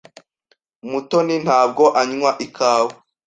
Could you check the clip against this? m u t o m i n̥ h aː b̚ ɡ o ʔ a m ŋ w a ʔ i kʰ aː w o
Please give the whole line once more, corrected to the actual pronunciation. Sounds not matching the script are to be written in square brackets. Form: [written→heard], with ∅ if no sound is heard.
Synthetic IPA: m u t o [m→n] i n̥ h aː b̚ ɡ o ʔ a [m→ɲ] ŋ w a ʔ i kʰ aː w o